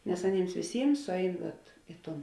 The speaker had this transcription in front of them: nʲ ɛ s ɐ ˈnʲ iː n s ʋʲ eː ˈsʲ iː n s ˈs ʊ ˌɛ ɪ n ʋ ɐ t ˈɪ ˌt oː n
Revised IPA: nʲ ɛ s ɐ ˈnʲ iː m s ʋʲ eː ˈsʲ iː m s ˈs ʊ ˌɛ ɪ n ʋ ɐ t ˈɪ ˌt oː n

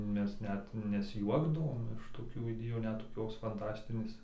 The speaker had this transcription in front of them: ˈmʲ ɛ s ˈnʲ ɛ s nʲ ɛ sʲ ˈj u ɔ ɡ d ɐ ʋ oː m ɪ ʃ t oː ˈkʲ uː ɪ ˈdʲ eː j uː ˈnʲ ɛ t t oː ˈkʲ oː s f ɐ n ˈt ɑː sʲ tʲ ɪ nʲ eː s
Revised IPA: ˈmʲ ɛ s ˈnʲ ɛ t nʲ ɛ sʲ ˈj u ɔ ɡ d ɐ ʋ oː m ɪ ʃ t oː ˈkʲ uː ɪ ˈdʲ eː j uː ˈnʲ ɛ t t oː ˈkʲ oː s f ɐ n ˈt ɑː sʲ tʲ ɪ nʲ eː s

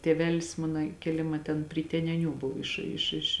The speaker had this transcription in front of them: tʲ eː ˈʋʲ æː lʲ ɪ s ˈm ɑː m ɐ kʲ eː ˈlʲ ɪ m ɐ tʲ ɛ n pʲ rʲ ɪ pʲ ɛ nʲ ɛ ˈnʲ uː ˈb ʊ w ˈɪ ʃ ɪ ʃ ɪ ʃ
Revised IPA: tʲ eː ˈʋʲ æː lʲ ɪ s ˈm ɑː n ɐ kʲ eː ˈlʲ ɪ m ɐ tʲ ɛ n pʲ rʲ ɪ tʲ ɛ nʲ ɛ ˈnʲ uː ˈb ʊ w ˈɪ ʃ ɪ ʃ ɪ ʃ

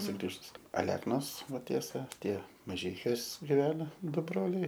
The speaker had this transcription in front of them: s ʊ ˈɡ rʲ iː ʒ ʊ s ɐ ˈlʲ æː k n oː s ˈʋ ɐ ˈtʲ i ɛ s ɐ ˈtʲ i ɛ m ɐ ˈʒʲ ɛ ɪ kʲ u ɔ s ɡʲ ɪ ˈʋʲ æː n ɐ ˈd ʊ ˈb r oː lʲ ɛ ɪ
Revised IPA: s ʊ ˈɡ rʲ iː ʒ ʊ s ɐ ˈlʲ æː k n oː s ˈʋ ɐ ˈtʲ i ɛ s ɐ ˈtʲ i ɛ m ɐ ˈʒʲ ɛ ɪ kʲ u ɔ s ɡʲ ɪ ˈʋʲ æː n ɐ ˈd ʊ ˈb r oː lʲ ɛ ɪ

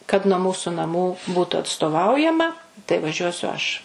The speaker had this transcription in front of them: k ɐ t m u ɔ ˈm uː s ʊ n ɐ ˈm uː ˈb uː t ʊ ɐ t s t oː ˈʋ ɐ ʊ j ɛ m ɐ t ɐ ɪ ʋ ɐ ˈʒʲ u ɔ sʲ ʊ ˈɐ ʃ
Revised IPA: k ɐ t n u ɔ ˈm uː s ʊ n ɐ ˈm uː ˈb uː t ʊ ɐ t s t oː ˈʋ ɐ ʊ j ɛ m ɐ t ɐ ɪ ʋ ɐ ˈʒʲ u ɔ sʲ ʊ ˈɐ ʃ

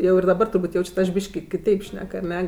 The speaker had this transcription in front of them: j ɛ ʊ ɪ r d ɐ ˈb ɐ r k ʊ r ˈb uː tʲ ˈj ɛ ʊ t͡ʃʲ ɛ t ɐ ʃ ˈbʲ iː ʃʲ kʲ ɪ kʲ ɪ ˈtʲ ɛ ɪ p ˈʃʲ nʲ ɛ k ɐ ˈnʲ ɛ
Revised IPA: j ɛ ʊ ɪ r d ɐ ˈb ɐ r t ʊ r ˈb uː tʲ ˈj ɛ ʊ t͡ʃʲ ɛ t ɐ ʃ ˈbʲ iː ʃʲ kʲ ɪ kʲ ɪ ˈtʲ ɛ ɪ p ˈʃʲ nʲ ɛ k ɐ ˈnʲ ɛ

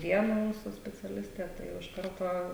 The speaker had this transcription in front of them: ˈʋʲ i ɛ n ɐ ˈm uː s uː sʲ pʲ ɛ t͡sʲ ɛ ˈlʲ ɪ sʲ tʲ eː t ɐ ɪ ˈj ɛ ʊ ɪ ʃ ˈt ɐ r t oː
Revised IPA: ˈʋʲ i ɛ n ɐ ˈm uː s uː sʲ pʲ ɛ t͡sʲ ɛ ˈlʲ ɪ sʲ tʲ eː t ɐ ɪ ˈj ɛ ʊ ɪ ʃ ˈk ɐ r t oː

